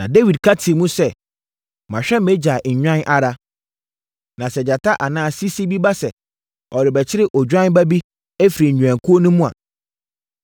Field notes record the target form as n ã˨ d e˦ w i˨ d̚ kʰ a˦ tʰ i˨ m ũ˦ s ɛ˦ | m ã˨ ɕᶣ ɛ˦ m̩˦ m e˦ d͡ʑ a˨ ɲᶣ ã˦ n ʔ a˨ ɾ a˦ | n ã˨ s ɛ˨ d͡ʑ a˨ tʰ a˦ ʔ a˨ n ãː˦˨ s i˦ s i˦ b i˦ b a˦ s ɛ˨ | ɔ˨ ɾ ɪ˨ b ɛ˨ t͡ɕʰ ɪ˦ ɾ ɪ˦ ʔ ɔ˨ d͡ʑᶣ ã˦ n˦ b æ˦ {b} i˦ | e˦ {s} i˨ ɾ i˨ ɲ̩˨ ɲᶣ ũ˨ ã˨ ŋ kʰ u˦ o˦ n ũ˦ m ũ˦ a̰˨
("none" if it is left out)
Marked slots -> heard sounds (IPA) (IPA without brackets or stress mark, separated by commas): b, f